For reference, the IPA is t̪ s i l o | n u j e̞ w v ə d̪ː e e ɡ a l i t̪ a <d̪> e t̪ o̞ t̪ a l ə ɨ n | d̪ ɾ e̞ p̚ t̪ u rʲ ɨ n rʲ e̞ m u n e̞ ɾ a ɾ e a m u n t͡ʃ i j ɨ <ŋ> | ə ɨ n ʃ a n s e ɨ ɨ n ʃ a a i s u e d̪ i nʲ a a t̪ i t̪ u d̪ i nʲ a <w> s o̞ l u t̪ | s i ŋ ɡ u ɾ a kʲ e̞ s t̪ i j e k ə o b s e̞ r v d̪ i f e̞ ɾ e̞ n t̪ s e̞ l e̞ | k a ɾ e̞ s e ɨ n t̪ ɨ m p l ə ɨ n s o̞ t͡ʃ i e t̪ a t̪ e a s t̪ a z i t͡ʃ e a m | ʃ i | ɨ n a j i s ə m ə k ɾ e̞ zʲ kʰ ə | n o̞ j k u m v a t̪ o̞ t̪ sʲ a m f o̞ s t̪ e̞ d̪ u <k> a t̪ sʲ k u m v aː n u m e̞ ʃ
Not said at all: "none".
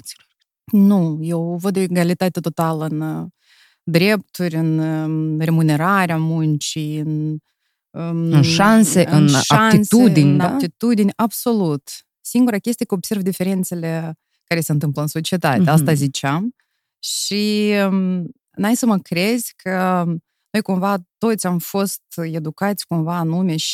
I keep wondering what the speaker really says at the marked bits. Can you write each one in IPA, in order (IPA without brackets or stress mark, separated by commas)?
t̪, n, b, k